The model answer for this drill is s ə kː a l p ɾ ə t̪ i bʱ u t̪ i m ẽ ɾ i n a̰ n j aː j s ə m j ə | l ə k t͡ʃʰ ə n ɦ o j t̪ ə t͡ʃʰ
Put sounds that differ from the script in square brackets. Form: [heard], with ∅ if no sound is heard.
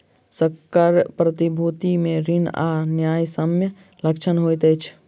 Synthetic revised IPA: s ə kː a [ɾ] p ɾ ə t̪ i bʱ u t̪ i m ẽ ɾ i n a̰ n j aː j s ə m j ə | l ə k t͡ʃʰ ə n ɦ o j t̪ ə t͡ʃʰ

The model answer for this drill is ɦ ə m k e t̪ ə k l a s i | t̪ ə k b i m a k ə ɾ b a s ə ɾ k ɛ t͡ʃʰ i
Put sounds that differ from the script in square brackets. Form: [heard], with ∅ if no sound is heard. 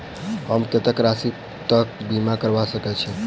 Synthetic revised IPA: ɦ ə m k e t̪ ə k [ɾ] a s i | t̪ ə k b i m a k ə ɾ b a s ə [∅] k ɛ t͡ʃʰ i

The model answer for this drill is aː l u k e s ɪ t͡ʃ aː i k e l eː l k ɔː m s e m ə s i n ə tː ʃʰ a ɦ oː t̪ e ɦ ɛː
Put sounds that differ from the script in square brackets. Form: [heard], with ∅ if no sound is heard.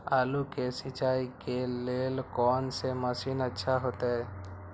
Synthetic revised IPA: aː l u k e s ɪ t͡ʃ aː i k e l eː l k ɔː [n] s e m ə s i n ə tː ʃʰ a ɦ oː t̪ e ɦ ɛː

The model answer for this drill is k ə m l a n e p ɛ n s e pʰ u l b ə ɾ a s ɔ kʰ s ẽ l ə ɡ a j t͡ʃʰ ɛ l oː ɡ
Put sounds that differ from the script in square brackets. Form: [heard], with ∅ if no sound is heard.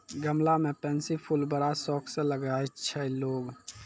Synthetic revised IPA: [ɡ] ə m l a [m] e p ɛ n s [i] pʰ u l b ə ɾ a s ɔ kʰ s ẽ l ə ɡ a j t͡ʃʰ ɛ l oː ɡ

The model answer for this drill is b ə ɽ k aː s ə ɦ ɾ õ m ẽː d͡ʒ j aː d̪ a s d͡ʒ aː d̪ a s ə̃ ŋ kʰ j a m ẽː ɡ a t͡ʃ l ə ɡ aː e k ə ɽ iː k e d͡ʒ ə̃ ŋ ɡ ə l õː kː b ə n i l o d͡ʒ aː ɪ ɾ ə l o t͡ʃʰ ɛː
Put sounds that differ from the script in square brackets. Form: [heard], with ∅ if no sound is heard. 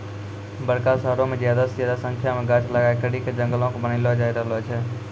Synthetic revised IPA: b ə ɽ k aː s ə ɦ ɾ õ m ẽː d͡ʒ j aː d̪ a s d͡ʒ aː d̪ a s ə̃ ŋ kʰ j a m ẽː ɡ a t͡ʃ l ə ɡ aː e k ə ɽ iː k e d͡ʒ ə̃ ŋ ɡ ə l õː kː b ə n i l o d͡ʒ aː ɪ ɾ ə l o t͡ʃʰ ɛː

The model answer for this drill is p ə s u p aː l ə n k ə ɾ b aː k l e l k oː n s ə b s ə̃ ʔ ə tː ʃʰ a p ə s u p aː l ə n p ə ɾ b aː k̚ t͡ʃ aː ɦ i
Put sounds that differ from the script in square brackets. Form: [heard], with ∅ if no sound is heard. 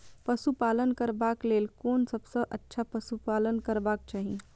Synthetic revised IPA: p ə s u p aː l ə n k ə ɾ b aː k l e l k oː n s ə b s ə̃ ʔ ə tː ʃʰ a p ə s u p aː l ə n [k] ə ɾ b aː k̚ t͡ʃ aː ɦ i

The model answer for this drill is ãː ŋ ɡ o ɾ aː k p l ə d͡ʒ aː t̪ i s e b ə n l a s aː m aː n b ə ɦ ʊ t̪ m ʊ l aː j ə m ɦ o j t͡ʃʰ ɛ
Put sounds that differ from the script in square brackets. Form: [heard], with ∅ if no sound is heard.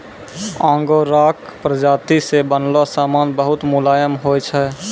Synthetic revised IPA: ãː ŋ ɡ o ɾ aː k p [ɾ] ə d͡ʒ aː t̪ i s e b ə n l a s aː m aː n b ə ɦ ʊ t̪ m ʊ l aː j ə m ɦ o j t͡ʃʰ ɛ

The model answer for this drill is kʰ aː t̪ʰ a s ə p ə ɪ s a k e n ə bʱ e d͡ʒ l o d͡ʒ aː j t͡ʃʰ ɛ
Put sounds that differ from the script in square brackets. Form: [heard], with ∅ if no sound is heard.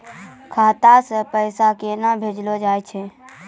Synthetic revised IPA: kʰ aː [t̪] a s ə p ə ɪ s a k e n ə bʱ e d͡ʒ l o d͡ʒ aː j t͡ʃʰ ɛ

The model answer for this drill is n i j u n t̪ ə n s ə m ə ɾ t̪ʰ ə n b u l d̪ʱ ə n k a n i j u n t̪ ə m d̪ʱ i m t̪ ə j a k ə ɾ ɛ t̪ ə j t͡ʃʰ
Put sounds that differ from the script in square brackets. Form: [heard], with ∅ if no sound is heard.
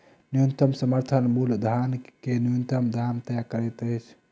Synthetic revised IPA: n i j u n t̪ ə [m] s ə m ə ɾ t̪ʰ ə n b u l d̪ʱ [a] n k [e] n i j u n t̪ ə m d̪ʱ [a] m t̪ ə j a k ə ɾ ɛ t̪ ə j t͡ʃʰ

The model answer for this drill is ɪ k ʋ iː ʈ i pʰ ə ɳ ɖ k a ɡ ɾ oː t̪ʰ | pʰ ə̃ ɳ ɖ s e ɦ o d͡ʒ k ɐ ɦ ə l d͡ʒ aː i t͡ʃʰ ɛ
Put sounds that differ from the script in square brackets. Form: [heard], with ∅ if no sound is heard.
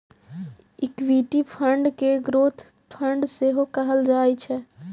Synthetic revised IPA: ɪ k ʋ iː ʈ i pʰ ə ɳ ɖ k [e] ɡ ɾ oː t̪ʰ | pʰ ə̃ ɳ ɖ s e ɦ o [∅] k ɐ ɦ ə l d͡ʒ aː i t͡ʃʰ ɛ

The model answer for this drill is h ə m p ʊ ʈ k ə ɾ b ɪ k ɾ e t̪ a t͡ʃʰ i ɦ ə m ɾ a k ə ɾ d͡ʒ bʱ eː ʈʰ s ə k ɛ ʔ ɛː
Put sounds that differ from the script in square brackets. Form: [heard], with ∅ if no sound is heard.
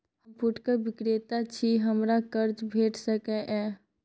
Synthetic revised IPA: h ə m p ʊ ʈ k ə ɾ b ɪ k ɾ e t̪ a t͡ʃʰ i ɦ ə m ɾ a k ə ɾ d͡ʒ bʱ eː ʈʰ s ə k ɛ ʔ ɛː

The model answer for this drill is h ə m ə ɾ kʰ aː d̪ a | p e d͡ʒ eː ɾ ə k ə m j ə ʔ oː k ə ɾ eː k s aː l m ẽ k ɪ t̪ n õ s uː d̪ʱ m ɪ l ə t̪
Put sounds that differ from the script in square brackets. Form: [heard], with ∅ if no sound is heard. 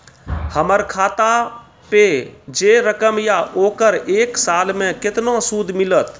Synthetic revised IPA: h ə m ə ɾ kʰ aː [t̪] a | p e d͡ʒ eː ɾ ə k ə m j [a] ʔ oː k ə ɾ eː k s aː l m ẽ k ɪ t̪ n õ s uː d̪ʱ m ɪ l ə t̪

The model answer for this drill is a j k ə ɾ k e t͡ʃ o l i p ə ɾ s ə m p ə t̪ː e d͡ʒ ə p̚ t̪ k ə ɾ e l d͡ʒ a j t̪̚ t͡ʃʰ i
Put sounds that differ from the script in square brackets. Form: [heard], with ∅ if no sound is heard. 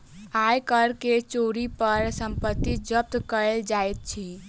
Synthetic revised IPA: a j k ə ɾ k e t͡ʃ o [ɾ] i p ə ɾ s ə m p ə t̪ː [i] d͡ʒ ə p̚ t̪ k ə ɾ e l d͡ʒ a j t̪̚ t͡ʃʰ i

